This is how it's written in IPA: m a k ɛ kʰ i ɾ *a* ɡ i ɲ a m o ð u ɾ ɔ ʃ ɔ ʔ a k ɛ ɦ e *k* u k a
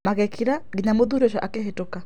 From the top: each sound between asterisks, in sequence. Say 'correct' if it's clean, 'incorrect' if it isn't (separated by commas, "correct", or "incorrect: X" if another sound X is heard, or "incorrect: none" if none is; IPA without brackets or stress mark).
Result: correct, incorrect: t